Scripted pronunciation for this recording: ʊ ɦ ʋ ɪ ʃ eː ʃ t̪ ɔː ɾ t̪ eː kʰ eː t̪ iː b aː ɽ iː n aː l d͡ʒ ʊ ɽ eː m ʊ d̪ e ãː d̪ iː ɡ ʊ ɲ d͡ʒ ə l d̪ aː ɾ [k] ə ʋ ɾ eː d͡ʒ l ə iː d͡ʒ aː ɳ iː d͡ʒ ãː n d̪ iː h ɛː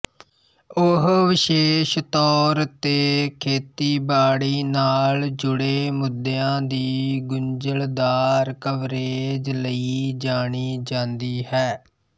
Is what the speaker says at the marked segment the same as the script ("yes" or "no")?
yes